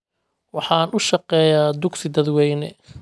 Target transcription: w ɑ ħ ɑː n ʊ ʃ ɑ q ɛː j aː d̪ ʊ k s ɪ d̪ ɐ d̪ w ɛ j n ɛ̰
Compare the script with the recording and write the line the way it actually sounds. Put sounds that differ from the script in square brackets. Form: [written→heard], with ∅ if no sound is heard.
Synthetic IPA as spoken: w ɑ ħ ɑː n ʊ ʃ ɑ q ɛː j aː d̪ ʊ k s ɪ d̪ ɐ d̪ w ɛ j n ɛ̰